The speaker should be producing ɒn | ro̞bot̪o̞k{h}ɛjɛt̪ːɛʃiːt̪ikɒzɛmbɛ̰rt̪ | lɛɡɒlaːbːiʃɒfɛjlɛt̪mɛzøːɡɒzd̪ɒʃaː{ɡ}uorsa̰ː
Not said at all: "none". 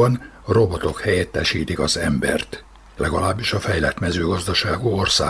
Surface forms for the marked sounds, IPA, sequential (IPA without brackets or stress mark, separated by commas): h, ɡ